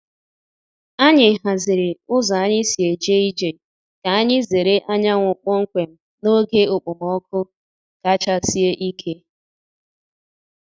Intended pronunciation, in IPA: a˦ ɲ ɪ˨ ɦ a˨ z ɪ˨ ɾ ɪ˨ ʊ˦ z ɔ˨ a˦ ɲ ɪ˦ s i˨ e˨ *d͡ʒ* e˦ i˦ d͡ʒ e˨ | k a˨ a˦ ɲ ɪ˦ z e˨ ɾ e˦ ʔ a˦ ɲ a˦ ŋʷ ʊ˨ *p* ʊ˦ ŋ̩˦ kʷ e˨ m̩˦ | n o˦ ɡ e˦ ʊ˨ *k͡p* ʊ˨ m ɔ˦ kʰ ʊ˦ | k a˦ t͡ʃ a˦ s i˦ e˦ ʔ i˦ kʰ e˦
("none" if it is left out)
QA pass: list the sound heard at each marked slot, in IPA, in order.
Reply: d͡ʒ, k͡p, k͡p

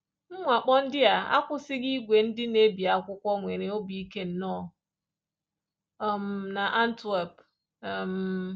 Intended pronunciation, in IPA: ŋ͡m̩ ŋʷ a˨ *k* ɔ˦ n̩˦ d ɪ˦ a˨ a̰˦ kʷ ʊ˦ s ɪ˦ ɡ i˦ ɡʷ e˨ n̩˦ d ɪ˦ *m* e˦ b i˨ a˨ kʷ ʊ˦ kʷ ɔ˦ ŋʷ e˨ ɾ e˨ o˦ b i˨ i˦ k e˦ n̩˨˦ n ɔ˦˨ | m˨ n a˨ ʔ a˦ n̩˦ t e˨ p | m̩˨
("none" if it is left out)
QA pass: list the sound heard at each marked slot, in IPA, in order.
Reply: k͡p, n

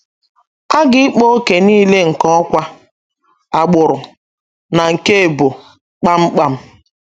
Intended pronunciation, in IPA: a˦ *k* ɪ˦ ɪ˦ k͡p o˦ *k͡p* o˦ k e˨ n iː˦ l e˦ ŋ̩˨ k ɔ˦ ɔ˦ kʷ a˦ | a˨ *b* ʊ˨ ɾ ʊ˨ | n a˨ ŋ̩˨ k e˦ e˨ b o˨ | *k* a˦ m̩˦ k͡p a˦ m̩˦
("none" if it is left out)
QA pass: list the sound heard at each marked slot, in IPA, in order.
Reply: ɡ, none, ɡ͡b, k͡p

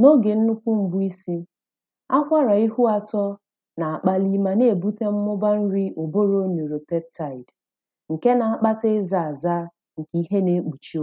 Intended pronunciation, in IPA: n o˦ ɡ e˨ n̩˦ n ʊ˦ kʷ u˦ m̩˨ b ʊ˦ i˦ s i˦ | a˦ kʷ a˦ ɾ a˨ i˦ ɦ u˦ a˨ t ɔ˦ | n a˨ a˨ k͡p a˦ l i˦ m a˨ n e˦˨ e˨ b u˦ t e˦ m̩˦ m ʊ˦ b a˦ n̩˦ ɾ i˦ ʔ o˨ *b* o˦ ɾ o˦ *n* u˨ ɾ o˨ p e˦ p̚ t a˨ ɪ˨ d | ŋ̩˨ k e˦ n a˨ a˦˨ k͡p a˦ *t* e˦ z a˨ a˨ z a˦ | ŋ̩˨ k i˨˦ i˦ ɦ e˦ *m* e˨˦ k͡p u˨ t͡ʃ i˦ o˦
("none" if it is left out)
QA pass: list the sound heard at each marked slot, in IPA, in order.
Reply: b, n, t, n

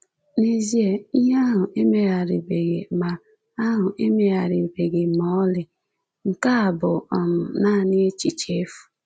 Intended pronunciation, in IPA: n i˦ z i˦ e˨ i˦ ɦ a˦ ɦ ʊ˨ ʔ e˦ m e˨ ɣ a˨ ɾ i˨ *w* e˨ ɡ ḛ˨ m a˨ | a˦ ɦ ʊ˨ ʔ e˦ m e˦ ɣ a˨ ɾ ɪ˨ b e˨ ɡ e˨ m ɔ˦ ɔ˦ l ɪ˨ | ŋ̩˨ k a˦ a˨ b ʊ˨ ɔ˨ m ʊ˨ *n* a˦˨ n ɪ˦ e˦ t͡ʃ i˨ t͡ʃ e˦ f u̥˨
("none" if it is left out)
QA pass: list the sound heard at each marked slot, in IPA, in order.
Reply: b, n

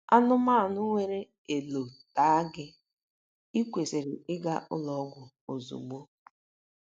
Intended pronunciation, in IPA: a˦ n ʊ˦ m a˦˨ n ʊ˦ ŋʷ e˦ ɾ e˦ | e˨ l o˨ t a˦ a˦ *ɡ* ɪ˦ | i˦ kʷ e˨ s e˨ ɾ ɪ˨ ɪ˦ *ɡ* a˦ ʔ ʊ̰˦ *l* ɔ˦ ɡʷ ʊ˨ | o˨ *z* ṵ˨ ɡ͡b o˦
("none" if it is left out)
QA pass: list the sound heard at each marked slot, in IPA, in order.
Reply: ɡ, ɡ, l, z

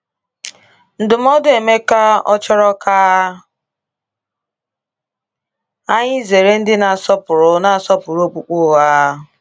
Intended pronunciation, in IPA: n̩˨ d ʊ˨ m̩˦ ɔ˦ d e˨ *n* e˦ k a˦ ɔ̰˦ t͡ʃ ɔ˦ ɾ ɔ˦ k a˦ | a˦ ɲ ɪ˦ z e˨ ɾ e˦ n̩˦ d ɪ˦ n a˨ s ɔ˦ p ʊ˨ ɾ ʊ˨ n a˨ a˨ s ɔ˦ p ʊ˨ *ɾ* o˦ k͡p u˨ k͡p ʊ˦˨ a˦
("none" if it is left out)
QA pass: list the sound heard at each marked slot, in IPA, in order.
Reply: m, ɾ

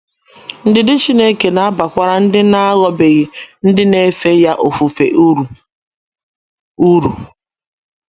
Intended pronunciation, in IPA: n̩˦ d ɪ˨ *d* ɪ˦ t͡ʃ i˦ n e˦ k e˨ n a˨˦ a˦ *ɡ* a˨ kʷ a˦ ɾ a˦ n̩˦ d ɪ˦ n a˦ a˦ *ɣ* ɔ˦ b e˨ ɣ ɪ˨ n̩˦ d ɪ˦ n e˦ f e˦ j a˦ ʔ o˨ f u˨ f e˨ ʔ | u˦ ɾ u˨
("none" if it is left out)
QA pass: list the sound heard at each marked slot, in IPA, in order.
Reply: d, b, ɣ

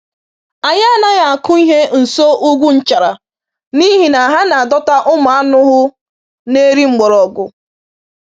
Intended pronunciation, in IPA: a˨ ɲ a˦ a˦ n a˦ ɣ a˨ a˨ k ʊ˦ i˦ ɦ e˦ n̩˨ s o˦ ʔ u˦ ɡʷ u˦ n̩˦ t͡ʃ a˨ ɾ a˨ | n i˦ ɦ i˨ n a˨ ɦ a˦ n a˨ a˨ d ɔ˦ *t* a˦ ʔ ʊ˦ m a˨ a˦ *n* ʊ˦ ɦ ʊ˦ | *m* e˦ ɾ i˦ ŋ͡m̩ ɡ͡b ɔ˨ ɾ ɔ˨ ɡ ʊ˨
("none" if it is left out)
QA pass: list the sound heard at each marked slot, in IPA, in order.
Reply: t, n, n

